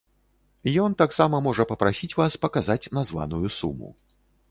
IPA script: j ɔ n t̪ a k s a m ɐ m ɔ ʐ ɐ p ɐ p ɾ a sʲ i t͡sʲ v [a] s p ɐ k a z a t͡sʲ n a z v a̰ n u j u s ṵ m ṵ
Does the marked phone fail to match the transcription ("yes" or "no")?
no